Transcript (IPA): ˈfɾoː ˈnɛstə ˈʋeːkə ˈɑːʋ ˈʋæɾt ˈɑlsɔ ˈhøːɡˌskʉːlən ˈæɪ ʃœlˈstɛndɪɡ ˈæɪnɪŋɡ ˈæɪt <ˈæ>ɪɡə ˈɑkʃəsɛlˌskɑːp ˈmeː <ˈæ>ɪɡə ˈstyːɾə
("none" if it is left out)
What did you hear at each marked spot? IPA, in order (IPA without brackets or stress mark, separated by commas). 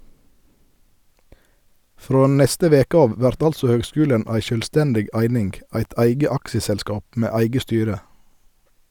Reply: æ, æ